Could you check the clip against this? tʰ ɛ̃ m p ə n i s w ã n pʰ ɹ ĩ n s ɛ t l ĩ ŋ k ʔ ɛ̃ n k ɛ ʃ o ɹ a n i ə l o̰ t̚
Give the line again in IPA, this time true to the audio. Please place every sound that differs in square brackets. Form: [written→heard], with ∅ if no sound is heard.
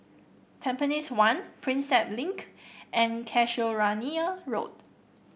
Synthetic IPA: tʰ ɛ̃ m p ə n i s w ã n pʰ ɹ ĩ n s ɛ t l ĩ ŋ k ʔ ɛ̃ n [k→kʰ] ɛ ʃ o ɹ a n i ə [l→ɹ] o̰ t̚